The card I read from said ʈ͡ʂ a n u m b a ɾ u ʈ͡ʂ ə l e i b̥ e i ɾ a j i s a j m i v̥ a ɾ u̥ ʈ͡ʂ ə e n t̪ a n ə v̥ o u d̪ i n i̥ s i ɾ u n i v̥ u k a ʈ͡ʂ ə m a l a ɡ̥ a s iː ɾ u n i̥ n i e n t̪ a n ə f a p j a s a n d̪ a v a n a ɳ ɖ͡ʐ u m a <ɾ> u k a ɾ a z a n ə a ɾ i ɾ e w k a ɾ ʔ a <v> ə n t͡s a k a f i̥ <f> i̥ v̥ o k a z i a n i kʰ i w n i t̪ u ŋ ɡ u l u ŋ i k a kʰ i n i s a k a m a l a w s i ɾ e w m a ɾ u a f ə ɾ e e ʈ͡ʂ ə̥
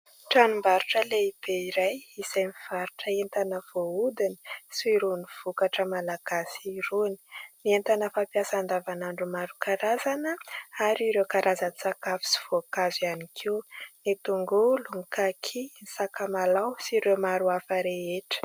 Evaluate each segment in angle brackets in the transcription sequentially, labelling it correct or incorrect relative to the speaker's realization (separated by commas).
correct, incorrect, incorrect